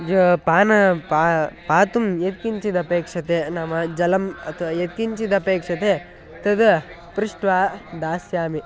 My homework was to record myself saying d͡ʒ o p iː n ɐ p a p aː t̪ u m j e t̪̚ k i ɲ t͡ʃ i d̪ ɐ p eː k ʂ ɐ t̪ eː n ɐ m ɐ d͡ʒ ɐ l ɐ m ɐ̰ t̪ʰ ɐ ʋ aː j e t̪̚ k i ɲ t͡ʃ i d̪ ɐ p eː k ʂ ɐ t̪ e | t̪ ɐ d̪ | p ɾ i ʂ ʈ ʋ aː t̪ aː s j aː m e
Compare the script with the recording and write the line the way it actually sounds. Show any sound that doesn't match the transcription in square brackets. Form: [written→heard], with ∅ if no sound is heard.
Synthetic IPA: d͡ʒ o p [iː→aː] n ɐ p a p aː t̪ u m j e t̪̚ k i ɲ t͡ʃ i d̪ ɐ p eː k ʂ ɐ t̪ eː n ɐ m ɐ d͡ʒ ɐ l ɐ m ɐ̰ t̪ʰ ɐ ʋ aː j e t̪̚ k i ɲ t͡ʃ i d̪ ɐ p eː k ʂ ɐ t̪ e | t̪ ɐ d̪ | p ɾ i ʂ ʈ ʋ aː [t̪→d̪] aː s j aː m [e→i]